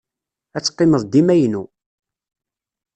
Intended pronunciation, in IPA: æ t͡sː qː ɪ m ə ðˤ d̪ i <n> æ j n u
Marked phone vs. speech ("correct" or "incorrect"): incorrect